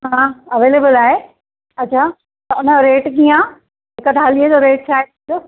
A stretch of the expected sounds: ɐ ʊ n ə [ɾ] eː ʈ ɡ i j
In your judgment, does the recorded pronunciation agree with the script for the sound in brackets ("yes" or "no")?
yes